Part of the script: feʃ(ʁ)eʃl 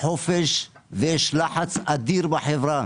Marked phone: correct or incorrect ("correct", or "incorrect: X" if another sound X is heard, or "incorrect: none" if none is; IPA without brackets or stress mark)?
incorrect: v